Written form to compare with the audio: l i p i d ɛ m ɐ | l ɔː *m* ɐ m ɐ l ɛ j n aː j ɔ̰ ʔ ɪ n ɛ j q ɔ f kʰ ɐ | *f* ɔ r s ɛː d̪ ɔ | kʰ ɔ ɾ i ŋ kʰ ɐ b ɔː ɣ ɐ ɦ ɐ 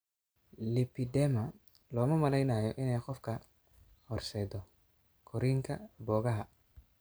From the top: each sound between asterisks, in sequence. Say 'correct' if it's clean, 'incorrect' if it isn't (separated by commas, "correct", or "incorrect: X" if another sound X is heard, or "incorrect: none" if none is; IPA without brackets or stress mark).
correct, incorrect: h